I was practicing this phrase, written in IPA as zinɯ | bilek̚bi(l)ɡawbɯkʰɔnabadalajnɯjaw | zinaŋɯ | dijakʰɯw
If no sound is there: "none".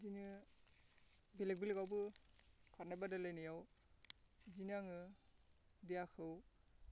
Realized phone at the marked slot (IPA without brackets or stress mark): l